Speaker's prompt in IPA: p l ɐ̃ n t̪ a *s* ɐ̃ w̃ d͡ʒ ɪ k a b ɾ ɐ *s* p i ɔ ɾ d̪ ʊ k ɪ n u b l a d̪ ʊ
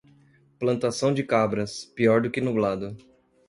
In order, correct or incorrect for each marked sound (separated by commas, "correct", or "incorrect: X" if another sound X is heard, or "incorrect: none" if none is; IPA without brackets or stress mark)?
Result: correct, correct